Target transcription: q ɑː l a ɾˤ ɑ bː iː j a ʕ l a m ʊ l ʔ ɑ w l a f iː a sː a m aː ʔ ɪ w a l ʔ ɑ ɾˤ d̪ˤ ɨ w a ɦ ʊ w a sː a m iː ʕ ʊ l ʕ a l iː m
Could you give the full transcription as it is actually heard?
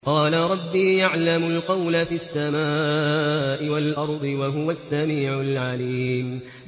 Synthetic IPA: q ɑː l a ɾˤ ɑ bː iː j a ʕ l a m ʊ l q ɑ w l a f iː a sː a m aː ʔ ɪ w a l ʔ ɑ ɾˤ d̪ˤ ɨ w a ɦ ʊ w a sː a m iː ʕ ʊ l ʕ a l iː m